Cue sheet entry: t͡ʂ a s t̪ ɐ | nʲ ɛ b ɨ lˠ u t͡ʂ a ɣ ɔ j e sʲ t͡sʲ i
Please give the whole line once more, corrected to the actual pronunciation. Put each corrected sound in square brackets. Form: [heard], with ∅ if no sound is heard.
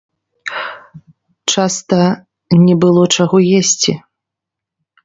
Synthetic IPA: t͡ʂ a s t̪ ɐ | nʲ ɛ b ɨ lˠ [ɔ] t͡ʂ a ɣ ɔ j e sʲ t͡sʲ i